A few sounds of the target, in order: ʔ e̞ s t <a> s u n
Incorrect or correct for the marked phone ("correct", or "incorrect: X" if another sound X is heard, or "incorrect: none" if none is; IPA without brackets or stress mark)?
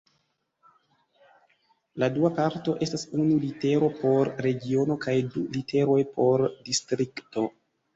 correct